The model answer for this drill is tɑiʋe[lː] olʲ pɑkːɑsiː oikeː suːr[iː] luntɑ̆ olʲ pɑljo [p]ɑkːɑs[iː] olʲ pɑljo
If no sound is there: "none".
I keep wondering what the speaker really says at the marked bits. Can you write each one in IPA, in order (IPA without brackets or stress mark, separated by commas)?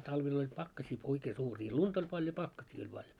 l, iː, p, iː